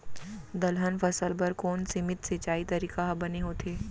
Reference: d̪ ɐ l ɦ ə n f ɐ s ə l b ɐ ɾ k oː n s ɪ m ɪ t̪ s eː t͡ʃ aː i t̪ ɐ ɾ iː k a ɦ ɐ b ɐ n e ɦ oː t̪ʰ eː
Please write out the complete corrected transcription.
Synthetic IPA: d̪ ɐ l ɦ ə n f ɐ s ə l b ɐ ɾ k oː n s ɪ m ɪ t̪ s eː t͡ʃ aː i t̪ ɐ ɾ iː k a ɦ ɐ b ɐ n e ɦ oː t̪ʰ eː